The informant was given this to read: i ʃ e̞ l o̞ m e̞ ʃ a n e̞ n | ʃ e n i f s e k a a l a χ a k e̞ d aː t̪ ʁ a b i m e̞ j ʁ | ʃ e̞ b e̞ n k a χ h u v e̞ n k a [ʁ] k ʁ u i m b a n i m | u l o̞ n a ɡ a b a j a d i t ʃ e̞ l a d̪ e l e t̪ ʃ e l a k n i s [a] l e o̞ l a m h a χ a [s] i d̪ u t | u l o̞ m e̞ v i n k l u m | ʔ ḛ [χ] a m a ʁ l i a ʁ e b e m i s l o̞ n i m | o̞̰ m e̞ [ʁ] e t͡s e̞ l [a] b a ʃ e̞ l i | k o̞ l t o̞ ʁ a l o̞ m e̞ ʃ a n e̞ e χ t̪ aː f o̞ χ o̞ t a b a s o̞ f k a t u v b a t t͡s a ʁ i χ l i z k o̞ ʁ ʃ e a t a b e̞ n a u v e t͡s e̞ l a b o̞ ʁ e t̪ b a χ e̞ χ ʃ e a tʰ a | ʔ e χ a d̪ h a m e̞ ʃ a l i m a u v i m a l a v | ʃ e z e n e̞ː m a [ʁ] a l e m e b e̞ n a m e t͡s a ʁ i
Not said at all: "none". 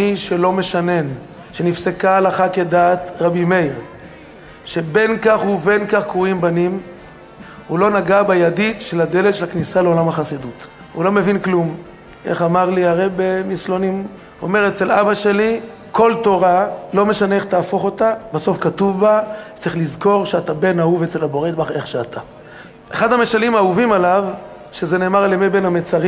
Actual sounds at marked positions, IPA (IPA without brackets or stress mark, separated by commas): χ, a, s, χ, ʁ, a, ʁ